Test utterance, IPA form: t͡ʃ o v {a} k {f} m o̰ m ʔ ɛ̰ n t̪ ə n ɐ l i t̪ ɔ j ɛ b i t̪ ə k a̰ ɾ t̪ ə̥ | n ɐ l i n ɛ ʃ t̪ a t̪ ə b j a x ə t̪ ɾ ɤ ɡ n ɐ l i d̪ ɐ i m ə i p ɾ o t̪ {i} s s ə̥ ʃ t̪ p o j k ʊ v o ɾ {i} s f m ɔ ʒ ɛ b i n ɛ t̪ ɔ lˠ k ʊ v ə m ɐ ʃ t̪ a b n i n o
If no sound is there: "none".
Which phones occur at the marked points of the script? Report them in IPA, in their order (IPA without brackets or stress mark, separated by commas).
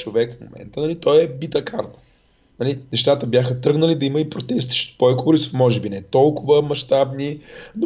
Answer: ɛ, f, ɛ, i